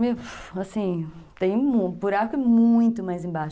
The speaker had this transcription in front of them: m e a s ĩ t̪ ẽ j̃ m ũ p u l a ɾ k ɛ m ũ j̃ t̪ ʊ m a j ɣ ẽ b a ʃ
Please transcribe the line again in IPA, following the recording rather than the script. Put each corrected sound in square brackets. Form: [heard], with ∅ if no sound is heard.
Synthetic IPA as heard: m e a s ĩ t̪ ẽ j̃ m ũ p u [ɾ] a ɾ k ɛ m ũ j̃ t̪ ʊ m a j [z] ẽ b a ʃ